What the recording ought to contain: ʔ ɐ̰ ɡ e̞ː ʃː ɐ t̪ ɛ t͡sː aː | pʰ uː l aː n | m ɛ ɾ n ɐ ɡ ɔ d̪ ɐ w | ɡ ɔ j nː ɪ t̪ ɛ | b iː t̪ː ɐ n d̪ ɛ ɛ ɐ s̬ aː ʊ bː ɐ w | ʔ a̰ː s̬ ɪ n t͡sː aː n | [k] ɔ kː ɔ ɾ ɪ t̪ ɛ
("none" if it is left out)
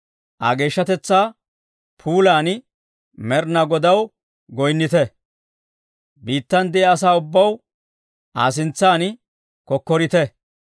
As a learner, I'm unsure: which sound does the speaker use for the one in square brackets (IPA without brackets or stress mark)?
k